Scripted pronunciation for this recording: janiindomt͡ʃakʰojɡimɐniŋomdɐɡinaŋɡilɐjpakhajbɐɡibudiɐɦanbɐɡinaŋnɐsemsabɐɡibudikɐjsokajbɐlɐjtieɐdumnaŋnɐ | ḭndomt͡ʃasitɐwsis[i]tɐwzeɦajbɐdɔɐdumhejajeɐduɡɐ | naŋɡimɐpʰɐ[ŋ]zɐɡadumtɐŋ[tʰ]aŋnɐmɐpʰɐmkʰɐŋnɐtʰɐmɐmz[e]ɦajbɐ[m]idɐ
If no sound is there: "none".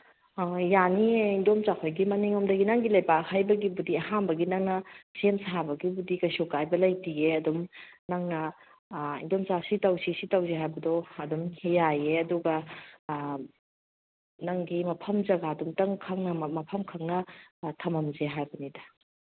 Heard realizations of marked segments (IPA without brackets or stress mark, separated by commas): i, m, kʰ, e, n